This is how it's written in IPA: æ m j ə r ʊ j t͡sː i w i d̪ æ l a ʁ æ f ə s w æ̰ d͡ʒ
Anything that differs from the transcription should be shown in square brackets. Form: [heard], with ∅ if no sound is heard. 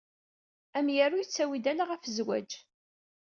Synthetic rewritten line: æ m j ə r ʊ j t͡sː [æ] w i d̪ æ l a ʁ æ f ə [z] w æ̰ d͡ʒ

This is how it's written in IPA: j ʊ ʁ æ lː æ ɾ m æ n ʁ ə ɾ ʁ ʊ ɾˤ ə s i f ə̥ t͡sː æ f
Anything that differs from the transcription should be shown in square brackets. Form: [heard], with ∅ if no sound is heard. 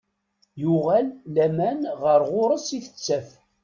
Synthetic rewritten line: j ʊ ʁ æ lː æ [∅] m æ n ʁ ə ɾ ʁ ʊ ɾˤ ə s i [θ] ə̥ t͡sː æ f

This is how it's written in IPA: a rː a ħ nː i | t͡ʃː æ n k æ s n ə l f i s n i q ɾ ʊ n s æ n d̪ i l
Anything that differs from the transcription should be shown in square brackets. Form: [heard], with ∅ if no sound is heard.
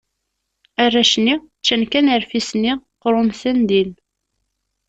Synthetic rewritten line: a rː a [ʃ] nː i | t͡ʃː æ n k æ [∅] n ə [ɾ] f i s n i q ɾ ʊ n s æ n d̪ i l

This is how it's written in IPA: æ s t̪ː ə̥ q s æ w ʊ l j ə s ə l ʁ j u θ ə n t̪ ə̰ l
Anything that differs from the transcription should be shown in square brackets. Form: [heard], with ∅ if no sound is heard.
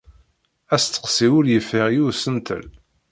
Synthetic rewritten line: æ s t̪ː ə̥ q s [i] w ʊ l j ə [f] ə [∅] ʁ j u [s] ə n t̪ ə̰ l

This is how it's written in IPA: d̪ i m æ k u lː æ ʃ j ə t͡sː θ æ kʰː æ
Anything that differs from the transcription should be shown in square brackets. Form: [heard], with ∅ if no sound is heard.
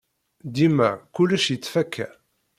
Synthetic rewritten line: d̪ i m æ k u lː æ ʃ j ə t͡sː [f] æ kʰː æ

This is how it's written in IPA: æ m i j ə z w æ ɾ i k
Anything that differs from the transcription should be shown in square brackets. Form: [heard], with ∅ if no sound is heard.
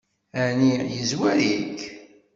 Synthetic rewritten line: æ [n] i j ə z w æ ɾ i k

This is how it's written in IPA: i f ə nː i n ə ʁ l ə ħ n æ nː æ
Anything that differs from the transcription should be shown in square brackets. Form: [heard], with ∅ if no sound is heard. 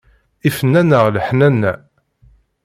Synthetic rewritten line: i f ə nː [æ] n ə ʁ l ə ħ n æ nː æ

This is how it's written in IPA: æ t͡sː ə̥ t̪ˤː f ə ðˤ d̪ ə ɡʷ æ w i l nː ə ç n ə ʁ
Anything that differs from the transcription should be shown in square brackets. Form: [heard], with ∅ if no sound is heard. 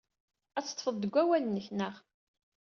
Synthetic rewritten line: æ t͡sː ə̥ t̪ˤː f ə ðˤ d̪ ə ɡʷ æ w [æ] l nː ə ç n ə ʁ

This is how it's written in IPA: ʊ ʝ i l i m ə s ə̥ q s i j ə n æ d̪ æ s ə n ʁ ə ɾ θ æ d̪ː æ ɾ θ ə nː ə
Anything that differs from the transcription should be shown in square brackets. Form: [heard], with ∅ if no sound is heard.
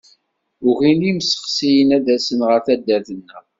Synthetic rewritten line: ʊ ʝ i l i m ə s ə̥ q s i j ə n æ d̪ æ s ə n ʁ ə ɾ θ æ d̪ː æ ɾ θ ə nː ə

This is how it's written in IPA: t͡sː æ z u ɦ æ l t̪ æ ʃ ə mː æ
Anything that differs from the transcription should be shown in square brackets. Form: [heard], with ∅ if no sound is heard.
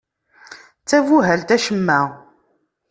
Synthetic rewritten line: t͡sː æ [v] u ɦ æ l t̪ æ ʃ ə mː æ

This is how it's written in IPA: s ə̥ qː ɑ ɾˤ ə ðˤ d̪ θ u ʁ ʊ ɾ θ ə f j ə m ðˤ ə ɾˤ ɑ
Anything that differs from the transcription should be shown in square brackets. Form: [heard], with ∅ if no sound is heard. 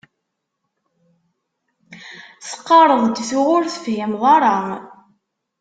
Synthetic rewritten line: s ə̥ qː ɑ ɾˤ ə ðˤ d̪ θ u ʁ ʊ ɾ θ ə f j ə m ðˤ [ɑ] ɾˤ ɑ

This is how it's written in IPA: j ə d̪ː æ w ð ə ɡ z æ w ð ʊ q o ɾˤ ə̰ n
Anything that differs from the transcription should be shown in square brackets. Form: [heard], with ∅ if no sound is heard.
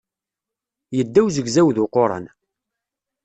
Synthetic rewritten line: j ə d̪ː æ w [z] ə ɡ z æ w ð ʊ q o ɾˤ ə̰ n

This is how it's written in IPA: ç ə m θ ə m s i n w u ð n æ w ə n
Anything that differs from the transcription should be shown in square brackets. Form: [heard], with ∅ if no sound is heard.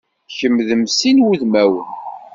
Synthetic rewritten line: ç ə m [ð] ə m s i n w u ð [m] æ w ə n

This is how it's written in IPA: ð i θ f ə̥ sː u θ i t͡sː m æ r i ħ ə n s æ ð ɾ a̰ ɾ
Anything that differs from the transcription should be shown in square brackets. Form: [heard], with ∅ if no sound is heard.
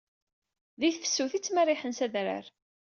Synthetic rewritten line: ð i θ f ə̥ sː u θ i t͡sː m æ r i ħ ə n s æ ð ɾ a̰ ɾ

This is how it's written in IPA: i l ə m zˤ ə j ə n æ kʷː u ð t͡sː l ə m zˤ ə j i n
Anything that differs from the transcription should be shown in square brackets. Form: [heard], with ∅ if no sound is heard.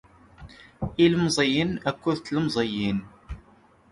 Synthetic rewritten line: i l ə m zˤ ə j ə n æ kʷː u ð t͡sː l ə m zˤ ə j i n

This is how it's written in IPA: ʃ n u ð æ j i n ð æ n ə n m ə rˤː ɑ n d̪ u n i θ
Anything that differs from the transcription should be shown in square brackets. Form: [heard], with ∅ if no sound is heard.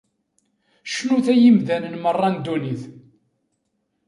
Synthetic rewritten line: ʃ n u [θ] æ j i [m] ð æ n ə n m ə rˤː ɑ n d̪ u n i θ

